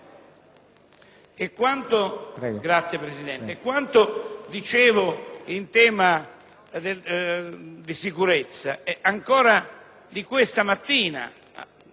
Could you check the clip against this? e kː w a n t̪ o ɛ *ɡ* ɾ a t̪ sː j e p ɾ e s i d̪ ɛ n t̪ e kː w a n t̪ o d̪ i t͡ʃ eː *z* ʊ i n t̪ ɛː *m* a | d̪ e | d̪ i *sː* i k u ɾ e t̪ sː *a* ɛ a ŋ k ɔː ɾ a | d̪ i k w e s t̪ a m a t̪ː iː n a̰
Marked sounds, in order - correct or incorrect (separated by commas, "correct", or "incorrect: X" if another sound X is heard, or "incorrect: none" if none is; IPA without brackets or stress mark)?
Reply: correct, incorrect: v, correct, incorrect: s, correct